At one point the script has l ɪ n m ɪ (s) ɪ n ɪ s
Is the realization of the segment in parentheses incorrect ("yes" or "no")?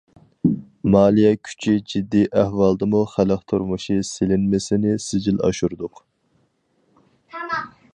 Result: no